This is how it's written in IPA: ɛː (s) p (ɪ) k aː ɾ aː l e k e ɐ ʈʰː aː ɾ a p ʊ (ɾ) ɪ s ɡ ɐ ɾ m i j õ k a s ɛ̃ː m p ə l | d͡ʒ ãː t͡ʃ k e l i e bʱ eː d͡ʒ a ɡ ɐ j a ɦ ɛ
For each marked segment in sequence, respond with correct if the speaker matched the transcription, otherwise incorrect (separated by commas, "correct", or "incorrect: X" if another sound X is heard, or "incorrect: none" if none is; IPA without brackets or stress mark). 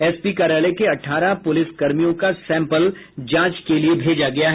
correct, incorrect: i, incorrect: l